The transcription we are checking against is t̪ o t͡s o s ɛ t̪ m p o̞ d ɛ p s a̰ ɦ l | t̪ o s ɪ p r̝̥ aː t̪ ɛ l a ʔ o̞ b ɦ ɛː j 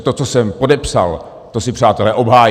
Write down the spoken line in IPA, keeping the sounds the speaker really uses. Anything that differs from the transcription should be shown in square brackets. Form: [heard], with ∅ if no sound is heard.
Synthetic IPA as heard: t̪ o t͡s o s ɛ [∅] m p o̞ d ɛ p s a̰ [∅] l | t̪ o s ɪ p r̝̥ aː t̪ ɛ l [ɛ] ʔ o̞ b ɦ [aː] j